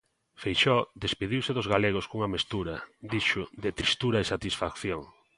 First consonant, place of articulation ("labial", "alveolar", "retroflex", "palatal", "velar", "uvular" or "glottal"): labial